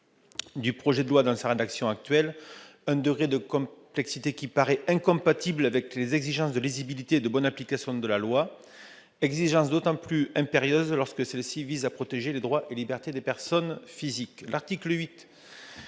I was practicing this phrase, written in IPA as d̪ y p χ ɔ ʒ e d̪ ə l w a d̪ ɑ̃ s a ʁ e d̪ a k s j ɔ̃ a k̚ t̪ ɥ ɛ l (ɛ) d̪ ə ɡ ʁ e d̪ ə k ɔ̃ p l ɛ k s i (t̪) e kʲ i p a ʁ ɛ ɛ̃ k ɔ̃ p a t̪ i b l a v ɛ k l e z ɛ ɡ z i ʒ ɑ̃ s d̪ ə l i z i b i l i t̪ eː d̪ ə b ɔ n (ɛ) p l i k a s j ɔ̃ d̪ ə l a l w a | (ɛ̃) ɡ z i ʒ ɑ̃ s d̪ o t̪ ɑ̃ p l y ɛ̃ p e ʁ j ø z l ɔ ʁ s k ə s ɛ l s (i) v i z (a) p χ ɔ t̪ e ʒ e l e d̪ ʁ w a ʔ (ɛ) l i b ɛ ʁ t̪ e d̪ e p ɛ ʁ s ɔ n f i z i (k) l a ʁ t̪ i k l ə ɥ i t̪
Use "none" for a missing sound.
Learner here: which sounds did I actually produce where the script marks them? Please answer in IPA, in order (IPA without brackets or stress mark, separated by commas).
ɛ̃, t̪, a, ɛ, i, a, e, k